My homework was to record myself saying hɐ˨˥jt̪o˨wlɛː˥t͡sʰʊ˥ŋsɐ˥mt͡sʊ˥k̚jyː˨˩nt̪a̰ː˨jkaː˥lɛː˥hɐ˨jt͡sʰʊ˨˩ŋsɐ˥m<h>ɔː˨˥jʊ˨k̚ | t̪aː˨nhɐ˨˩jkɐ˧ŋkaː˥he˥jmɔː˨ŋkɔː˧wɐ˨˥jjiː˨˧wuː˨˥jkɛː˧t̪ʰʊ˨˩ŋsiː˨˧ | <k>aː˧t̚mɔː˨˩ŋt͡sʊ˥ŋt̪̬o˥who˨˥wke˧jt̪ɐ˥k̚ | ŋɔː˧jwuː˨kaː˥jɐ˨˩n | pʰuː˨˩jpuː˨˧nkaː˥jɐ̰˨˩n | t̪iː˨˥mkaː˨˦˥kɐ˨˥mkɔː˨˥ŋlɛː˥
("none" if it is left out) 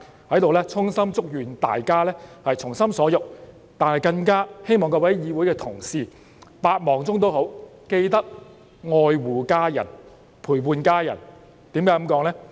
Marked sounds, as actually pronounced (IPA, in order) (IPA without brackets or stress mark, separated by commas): s, p